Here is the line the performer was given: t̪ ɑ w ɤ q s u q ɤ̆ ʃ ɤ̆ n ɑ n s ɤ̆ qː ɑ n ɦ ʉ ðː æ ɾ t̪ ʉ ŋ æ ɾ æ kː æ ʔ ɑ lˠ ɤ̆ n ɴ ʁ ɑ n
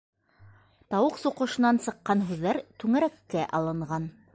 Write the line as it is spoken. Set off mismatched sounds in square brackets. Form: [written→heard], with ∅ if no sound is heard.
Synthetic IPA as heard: t̪ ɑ w ɤ q s u q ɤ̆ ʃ ɤ̆ n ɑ n s ɤ̆ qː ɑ n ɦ ʉ ðː æ ɾ t̪ ʉ ŋ æ ɾ æ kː æ ʔ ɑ lˠ ɤ̆ [n→∅] ɴ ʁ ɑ n